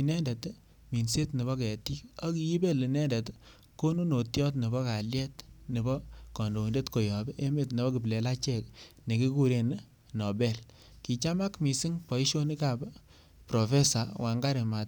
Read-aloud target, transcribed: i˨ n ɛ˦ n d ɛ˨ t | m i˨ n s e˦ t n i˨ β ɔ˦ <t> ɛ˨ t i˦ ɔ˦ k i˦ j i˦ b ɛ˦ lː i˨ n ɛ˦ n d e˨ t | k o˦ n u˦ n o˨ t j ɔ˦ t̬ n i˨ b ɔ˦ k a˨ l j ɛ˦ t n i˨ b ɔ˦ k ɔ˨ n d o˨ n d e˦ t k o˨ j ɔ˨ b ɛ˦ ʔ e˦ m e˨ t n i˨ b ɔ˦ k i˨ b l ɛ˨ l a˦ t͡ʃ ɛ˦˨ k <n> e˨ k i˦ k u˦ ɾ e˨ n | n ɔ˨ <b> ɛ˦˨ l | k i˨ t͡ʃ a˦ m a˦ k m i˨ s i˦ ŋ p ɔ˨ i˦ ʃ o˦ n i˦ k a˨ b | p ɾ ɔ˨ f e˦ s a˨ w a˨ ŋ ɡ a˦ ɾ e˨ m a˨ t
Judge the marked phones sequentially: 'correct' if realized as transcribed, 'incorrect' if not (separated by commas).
incorrect, correct, correct